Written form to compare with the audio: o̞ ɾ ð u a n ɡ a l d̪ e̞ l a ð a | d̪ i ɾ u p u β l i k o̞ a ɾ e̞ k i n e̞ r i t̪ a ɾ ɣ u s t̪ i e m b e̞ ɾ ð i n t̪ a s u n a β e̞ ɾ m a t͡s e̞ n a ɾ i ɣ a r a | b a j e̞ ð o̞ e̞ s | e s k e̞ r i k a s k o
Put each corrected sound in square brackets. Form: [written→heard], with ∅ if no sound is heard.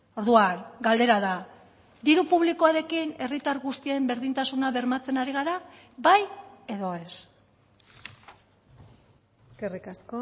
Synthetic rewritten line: o̞ ɾ ð u a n ɡ a l d̪ e̞ [l→ɾ] a ð a | d̪ i ɾ u p u β l i k o̞ a ɾ e̞ k i n e̞ r i t̪ a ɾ ɣ u s t̪ i e m b e̞ ɾ ð i n t̪ a s u n a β e̞ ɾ m a t͡s e̞ n a ɾ i ɣ a [r→ɾ] a | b a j e̞ ð o̞ e̞ s | e s k e̞ r i k a s k o